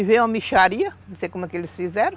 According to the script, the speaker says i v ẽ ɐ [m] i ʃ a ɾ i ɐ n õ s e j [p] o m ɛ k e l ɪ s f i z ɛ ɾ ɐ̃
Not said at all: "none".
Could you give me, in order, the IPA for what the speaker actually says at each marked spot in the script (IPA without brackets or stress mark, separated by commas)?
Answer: m, k